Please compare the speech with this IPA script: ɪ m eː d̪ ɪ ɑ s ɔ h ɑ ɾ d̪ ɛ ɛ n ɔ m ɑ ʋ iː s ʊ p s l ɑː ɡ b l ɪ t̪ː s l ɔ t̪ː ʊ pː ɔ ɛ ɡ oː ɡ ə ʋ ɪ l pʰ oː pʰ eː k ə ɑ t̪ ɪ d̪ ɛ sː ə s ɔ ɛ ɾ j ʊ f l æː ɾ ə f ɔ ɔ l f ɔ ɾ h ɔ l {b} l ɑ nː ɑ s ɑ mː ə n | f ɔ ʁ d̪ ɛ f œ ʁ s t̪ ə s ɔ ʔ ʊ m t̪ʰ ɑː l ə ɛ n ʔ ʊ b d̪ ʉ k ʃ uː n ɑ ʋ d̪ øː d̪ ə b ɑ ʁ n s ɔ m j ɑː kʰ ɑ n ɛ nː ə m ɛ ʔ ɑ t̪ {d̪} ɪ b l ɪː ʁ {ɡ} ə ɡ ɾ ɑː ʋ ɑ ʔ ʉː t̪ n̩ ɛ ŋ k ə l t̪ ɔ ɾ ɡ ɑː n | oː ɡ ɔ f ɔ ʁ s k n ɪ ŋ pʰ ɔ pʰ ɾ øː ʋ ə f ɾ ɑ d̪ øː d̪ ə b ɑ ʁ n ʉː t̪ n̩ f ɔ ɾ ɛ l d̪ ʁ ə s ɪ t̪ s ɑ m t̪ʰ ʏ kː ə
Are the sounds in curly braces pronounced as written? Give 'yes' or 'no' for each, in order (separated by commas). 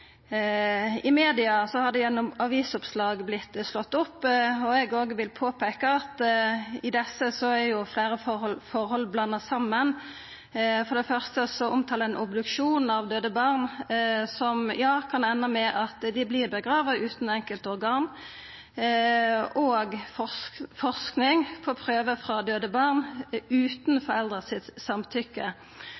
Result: yes, yes, no